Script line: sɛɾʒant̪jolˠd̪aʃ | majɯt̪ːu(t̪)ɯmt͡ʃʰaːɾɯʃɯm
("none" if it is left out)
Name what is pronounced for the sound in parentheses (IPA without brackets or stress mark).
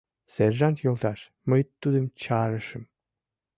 d̪